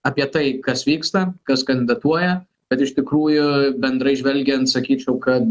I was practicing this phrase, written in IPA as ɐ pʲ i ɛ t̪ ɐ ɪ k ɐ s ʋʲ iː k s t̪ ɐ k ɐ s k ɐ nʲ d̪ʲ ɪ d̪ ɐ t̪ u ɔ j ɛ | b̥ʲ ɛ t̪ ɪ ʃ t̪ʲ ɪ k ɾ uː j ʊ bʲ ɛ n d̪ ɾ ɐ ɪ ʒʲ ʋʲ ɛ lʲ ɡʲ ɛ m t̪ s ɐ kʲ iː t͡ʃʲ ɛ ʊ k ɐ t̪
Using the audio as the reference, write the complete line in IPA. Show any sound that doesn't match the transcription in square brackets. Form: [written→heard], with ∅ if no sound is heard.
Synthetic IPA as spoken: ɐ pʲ i ɛ t̪ ɐ ɪ k ɐ s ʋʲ iː k s t̪ ɐ k ɐ s k ɐ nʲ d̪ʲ ɪ d̪ ɐ t̪ u ɔ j ɛ | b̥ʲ ɛ t̪ ɪ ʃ t̪ʲ ɪ k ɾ uː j ʊ bʲ ɛ n d̪ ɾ ɐ ɪ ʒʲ ʋʲ ɛ lʲ ɡʲ ɛ [m→n] t̪ s ɐ kʲ iː t͡ʃʲ ɛ ʊ k ɐ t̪